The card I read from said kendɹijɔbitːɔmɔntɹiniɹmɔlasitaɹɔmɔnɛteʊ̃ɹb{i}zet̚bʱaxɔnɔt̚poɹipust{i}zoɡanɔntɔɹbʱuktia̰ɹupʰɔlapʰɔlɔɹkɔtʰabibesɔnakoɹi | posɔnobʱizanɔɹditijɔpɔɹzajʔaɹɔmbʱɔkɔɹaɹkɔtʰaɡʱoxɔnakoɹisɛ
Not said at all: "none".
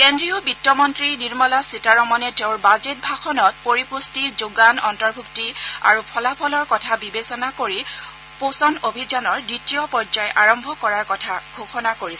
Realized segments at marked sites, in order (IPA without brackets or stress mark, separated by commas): a, i